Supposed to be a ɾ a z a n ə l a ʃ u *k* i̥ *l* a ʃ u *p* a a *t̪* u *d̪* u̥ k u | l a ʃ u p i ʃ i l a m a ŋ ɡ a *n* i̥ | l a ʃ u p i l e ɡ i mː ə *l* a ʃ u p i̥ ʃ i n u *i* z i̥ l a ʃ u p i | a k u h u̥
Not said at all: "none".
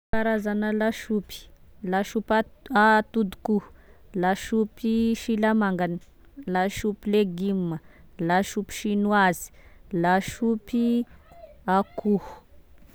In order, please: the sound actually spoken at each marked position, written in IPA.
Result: p, l, p, t̪, d̪, n, l, a

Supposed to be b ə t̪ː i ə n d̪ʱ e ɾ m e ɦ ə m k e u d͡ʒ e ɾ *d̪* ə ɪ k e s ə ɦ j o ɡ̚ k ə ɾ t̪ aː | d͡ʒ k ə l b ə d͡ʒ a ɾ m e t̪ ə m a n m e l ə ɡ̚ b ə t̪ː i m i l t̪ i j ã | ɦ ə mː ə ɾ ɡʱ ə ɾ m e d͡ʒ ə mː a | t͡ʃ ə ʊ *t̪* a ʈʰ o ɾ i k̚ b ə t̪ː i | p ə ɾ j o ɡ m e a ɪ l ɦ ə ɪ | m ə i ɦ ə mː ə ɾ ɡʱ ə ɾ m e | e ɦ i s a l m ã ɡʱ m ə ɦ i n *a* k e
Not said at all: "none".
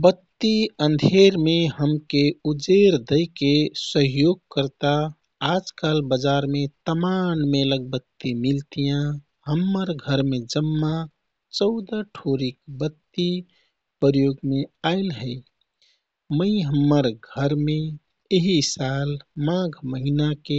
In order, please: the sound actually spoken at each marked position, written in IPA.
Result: d̪, d̪, a

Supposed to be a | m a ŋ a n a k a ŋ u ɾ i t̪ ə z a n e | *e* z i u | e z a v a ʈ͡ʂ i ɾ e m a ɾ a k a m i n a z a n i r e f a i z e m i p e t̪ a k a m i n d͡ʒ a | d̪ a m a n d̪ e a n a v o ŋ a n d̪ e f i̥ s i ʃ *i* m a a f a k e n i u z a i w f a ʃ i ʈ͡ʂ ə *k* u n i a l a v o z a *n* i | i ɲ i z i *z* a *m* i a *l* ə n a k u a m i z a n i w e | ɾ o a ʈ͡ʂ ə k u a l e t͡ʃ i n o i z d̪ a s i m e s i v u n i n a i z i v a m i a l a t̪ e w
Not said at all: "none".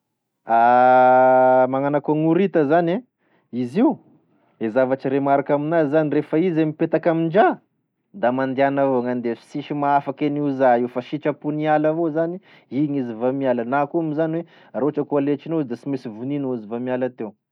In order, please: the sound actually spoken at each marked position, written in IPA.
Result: i, i, p, n, v, m, l

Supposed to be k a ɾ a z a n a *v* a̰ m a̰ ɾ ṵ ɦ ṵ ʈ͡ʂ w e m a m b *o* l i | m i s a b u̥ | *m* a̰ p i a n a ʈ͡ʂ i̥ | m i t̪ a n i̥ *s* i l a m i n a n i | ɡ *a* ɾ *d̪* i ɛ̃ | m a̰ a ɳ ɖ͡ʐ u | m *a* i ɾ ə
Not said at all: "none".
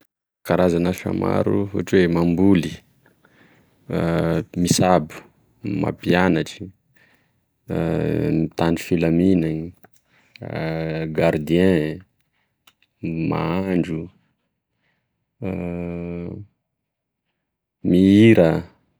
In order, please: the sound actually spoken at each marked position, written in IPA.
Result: f, u, m, f, a, d̪, i

